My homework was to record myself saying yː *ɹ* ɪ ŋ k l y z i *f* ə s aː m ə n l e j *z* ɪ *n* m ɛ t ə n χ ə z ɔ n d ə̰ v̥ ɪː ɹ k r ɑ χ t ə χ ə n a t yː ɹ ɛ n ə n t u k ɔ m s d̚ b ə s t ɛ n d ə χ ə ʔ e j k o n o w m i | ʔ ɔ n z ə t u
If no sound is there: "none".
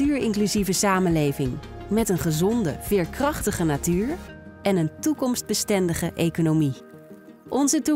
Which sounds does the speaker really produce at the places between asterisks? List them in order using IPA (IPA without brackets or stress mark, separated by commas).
ɹ, v, v, ŋ